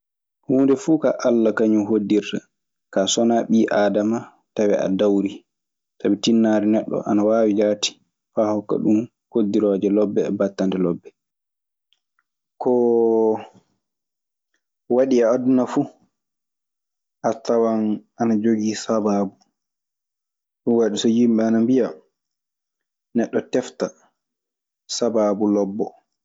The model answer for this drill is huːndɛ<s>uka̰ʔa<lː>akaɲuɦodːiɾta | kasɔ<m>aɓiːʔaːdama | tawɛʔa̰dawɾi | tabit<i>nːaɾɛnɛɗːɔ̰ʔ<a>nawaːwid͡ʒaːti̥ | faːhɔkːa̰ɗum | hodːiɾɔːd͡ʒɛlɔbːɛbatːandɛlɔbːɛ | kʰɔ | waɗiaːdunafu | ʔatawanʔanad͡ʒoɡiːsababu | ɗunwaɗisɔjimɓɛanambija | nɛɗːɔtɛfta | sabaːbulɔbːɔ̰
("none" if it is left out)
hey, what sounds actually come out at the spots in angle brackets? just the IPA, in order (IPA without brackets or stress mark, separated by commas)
f, lː, n, i, a